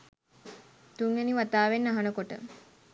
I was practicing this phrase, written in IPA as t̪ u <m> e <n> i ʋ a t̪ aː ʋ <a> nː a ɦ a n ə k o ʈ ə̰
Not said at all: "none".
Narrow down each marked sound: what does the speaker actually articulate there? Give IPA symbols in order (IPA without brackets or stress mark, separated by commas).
ŋ, n, e